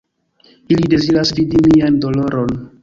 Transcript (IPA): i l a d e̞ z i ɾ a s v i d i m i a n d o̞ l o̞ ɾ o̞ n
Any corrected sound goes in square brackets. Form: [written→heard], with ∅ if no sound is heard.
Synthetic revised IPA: i l [a→i] d e̞ z i ɾ a s v i d i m i a n d o̞ l o̞ ɾ o̞ n